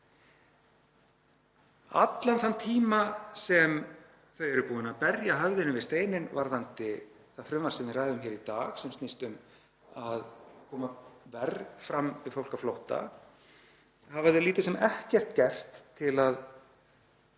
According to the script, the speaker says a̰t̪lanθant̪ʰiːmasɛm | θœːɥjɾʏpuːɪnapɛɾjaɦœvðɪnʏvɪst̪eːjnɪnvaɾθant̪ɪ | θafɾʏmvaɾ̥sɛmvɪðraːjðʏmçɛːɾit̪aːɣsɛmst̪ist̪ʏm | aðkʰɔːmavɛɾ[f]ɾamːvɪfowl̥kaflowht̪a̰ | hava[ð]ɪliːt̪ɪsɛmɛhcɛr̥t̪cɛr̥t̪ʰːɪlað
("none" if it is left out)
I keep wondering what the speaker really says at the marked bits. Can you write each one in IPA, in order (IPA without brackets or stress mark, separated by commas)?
f, ð